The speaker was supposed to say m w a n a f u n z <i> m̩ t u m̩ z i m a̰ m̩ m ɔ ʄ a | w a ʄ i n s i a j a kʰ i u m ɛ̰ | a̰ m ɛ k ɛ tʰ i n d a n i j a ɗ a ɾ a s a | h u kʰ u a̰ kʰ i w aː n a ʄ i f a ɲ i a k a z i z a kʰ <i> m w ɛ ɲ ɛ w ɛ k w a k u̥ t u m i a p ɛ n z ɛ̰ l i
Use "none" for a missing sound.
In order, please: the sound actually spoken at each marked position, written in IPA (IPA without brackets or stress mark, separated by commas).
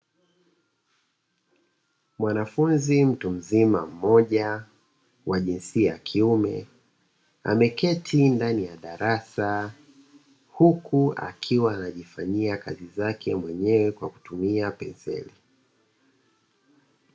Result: i, ɛ